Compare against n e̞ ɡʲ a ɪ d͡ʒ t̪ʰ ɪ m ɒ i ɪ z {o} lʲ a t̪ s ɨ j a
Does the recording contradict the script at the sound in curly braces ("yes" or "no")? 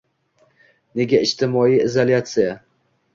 no